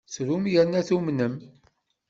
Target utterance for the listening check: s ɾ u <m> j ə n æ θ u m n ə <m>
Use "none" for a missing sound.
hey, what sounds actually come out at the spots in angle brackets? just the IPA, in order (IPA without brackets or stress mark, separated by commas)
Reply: m, m